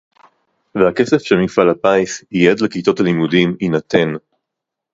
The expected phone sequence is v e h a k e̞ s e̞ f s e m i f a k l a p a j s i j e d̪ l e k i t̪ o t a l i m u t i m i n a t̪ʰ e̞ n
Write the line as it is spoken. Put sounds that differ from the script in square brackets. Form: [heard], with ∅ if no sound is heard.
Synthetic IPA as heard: v e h a k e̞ s e̞ f [ʃ] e m i f a [∅] l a p a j s i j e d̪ l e k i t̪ o t a l i m u [d] i m i n a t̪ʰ e̞ n